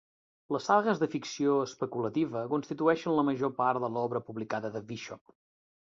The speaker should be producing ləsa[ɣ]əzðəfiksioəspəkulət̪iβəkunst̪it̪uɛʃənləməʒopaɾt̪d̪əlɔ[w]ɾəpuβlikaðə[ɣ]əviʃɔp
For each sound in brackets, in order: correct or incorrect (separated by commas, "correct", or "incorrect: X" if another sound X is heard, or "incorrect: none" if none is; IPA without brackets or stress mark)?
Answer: correct, incorrect: β, incorrect: ð